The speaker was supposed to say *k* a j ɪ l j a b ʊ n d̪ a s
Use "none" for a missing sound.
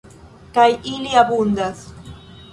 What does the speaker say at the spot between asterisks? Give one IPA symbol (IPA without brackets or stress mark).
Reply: k